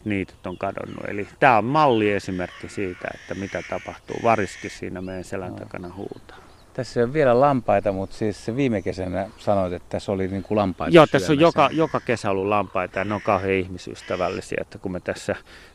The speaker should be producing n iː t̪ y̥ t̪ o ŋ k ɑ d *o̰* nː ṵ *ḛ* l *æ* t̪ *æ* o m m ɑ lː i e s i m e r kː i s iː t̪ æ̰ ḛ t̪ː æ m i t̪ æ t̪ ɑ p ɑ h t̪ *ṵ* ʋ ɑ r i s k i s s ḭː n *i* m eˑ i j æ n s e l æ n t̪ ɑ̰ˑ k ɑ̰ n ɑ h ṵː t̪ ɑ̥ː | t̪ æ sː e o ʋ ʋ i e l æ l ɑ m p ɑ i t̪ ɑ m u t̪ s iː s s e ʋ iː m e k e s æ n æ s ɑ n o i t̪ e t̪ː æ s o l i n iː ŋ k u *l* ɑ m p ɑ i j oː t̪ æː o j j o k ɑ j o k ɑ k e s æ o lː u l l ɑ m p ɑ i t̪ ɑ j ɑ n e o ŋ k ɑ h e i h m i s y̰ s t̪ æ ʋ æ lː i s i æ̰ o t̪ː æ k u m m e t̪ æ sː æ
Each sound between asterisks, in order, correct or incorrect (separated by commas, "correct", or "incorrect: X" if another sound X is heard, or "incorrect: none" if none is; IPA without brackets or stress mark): correct, correct, incorrect: i, incorrect: æː, incorrect: ṵː, incorrect: æ, correct